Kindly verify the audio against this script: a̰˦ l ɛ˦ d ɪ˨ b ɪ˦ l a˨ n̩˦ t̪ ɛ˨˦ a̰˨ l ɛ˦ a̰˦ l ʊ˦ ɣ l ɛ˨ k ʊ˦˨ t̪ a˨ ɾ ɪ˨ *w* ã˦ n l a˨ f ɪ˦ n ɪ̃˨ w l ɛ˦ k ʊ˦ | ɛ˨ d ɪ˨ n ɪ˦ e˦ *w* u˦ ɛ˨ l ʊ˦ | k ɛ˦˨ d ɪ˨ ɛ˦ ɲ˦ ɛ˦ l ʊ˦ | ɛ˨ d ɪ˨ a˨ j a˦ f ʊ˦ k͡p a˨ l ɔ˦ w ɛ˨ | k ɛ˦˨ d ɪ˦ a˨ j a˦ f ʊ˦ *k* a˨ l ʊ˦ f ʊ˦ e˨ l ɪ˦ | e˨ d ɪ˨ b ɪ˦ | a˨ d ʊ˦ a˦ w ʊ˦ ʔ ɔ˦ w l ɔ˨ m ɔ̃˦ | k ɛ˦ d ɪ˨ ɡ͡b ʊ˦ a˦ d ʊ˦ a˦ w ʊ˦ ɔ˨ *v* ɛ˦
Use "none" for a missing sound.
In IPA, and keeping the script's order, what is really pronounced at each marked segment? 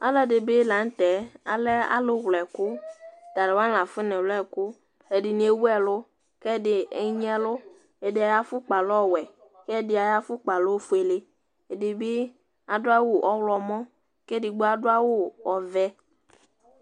w, w, k͡p, v

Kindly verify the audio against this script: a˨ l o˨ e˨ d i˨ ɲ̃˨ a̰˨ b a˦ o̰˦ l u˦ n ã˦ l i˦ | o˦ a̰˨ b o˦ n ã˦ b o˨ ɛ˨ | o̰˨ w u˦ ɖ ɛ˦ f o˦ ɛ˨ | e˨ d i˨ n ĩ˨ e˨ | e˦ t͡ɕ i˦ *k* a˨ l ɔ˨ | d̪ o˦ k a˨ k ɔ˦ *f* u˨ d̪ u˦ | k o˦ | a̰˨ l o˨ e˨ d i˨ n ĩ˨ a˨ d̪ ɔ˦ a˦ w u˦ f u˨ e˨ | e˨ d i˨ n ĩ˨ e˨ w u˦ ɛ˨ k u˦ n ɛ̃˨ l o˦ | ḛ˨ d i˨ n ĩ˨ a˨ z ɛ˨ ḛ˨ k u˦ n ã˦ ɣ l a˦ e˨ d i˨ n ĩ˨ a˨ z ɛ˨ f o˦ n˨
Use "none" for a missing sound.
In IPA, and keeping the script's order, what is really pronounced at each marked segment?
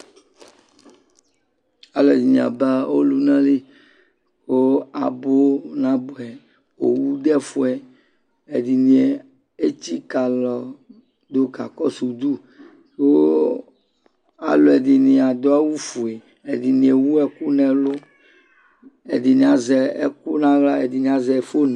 k, s

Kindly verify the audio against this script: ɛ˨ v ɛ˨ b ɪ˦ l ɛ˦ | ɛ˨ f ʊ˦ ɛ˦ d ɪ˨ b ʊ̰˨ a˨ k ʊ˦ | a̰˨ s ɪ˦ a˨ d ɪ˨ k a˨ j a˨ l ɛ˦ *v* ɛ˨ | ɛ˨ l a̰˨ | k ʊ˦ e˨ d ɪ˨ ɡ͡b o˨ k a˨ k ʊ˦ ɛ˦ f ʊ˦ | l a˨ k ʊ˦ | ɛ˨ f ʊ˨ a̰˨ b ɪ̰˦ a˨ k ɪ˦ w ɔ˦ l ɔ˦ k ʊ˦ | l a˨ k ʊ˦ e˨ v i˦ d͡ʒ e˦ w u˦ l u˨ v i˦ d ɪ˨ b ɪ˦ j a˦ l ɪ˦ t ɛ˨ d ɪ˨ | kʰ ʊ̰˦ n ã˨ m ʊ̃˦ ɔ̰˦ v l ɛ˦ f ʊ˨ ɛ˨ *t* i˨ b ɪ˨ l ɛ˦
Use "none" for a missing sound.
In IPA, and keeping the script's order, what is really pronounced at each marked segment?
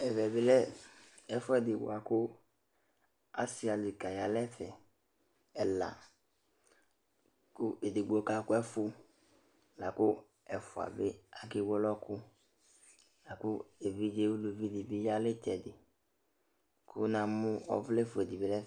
f, d

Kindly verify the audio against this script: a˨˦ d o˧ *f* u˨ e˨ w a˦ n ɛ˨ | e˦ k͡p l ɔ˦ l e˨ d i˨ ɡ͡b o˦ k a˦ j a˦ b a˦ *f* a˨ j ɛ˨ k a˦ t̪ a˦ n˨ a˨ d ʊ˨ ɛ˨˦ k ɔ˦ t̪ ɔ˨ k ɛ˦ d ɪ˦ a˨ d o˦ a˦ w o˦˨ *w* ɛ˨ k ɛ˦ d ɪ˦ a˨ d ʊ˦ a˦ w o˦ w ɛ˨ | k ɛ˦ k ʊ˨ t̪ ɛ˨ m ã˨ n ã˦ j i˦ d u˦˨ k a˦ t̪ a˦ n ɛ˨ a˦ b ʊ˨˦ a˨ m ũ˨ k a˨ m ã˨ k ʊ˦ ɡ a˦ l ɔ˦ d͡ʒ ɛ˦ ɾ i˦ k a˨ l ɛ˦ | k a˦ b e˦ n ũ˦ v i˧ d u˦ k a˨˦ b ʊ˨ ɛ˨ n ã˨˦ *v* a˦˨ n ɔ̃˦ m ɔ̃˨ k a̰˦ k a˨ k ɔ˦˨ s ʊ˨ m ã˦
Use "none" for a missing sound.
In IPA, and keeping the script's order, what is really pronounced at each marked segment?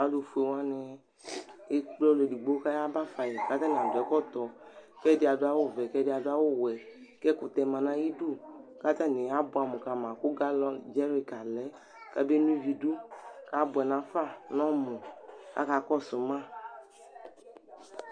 f, f, v, f

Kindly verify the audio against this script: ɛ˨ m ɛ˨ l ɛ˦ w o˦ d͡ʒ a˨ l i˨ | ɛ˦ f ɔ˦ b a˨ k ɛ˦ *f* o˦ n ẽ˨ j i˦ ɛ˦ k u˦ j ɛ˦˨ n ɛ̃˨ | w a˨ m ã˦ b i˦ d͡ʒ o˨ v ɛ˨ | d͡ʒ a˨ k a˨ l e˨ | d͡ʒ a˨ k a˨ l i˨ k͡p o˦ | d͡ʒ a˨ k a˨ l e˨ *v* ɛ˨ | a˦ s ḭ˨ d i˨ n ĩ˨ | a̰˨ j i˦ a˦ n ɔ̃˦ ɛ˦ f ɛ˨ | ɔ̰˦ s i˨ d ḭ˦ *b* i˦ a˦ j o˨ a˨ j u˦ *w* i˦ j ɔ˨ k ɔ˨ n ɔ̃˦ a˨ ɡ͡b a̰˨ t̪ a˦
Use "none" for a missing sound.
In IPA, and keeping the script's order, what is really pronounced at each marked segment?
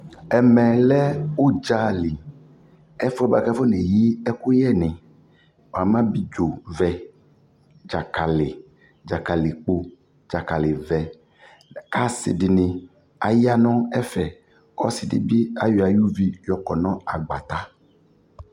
f, v, b, v

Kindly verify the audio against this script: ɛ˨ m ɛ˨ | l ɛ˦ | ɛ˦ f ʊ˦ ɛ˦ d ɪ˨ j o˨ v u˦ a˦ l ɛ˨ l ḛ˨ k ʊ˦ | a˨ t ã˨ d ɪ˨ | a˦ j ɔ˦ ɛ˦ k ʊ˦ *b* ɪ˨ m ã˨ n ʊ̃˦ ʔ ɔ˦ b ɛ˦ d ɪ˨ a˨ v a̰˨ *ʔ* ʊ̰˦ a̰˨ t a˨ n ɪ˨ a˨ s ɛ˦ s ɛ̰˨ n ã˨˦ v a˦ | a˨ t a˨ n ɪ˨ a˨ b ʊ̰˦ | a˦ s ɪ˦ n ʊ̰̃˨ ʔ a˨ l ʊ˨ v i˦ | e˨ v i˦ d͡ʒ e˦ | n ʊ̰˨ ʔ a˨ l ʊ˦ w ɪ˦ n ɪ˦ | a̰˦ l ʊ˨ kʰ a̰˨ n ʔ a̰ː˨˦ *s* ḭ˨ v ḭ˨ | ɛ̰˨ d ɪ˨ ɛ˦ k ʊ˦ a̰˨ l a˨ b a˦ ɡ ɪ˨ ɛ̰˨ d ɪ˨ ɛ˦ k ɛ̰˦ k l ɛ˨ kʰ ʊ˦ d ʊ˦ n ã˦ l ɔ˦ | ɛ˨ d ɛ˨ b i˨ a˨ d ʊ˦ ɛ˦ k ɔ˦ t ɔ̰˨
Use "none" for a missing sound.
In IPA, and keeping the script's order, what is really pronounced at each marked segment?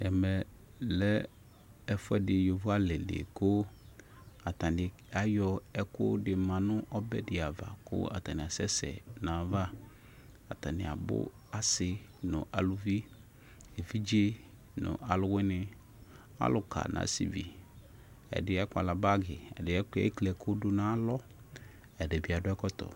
d, k, s

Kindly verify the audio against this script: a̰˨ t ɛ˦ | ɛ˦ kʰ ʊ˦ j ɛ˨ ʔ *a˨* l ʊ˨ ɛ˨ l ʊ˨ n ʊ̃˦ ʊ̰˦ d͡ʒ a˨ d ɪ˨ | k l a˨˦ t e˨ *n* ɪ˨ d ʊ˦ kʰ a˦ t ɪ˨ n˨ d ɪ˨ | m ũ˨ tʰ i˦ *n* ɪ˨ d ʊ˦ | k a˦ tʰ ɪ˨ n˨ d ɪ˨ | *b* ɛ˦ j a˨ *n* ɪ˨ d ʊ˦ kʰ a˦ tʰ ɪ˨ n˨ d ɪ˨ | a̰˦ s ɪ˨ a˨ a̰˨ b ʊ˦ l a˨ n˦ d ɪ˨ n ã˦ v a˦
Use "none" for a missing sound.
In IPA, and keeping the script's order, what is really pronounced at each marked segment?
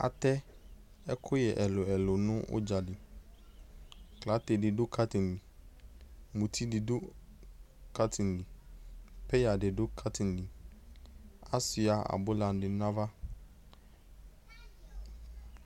ɛ˨, d, d, p, d

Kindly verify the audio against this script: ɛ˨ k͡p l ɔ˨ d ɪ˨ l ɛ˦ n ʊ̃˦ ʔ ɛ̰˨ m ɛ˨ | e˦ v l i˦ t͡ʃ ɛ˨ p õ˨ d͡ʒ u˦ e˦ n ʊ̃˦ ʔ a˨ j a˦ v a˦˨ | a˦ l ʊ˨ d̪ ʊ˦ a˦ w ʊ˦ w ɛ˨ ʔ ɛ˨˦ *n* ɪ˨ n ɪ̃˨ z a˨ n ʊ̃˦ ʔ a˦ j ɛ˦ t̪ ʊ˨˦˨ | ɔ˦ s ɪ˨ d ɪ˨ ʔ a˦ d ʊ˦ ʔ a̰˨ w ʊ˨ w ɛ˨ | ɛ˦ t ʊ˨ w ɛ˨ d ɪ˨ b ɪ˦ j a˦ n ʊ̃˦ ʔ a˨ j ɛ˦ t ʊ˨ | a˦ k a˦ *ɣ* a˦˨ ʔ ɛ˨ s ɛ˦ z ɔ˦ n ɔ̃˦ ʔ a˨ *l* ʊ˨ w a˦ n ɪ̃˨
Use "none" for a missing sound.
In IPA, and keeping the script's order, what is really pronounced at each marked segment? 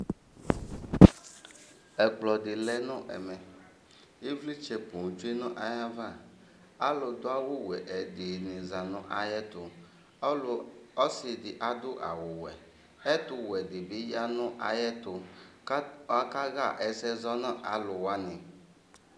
d, ɣ, l

